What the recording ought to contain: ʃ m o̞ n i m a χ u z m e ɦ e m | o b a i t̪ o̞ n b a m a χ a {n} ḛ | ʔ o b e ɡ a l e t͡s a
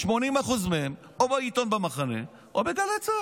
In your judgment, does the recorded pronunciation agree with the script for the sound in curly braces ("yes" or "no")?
yes